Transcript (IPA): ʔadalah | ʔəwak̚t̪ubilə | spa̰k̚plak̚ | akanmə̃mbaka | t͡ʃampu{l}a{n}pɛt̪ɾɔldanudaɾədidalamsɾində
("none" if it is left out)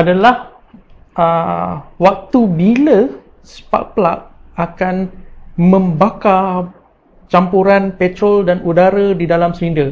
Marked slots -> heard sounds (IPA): ɾ, n

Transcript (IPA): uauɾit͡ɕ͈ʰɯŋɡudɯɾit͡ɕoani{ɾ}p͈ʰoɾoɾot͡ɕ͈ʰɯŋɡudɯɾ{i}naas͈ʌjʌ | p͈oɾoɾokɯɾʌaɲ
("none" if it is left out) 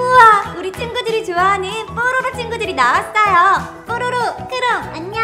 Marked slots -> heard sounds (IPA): none, i

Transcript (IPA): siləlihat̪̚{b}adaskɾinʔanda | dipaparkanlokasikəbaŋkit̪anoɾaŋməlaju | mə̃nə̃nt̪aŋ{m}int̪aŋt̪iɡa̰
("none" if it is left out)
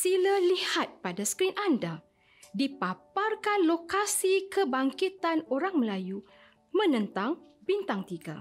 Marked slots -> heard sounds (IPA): p, b

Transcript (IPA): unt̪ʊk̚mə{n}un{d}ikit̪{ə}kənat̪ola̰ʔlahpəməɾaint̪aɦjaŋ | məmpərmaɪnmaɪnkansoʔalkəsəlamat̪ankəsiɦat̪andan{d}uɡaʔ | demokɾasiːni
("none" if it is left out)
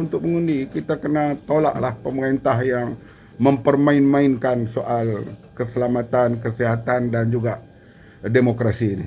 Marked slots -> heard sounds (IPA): ŋ, d, a, d͡ʒ

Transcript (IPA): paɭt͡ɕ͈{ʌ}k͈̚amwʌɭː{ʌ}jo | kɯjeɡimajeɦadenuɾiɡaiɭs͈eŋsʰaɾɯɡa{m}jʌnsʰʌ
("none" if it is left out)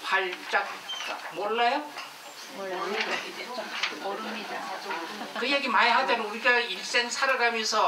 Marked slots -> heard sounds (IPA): a, a, m

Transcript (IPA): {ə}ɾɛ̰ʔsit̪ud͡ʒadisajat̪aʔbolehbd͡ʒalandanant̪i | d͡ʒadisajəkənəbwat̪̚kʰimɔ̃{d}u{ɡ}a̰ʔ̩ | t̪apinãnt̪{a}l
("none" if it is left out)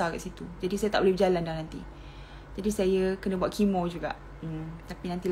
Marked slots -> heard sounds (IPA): a, d͡ʒ, ɡ, i

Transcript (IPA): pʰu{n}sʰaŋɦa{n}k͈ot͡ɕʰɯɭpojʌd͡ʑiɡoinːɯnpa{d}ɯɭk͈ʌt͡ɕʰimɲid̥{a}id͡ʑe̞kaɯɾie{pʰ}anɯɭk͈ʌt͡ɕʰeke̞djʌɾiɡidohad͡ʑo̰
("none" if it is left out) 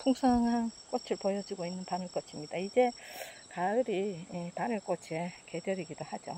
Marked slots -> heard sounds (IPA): ŋ, n, n, a, p

